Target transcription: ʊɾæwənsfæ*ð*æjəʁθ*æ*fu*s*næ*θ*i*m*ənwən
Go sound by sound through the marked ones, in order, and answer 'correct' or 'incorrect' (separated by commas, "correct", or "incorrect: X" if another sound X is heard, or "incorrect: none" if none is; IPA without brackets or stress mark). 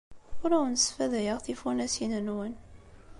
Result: correct, incorrect: i, incorrect: none, incorrect: s, incorrect: n